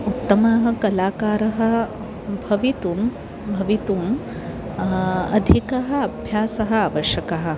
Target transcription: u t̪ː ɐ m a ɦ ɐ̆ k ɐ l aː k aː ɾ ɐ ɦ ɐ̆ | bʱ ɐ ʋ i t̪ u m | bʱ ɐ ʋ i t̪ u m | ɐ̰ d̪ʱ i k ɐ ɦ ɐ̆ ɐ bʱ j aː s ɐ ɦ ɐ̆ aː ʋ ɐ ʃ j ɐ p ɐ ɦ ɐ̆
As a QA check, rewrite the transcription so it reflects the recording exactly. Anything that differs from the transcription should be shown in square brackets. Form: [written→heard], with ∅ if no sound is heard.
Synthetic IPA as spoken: u t̪ː ɐ m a ɦ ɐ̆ k ɐ l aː k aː ɾ ɐ ɦ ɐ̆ | bʱ ɐ ʋ i t̪ u m | bʱ ɐ ʋ i t̪ u m | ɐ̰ d̪ʱ i k ɐ ɦ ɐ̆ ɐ bʱ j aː s ɐ ɦ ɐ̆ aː ʋ ɐ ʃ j ɐ [p→k] ɐ ɦ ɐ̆